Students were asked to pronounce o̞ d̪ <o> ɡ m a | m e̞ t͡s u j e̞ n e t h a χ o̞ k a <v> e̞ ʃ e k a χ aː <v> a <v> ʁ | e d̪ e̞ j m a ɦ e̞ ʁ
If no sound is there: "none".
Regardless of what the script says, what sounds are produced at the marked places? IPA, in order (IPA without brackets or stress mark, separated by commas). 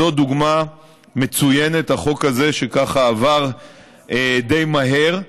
u, z, v, none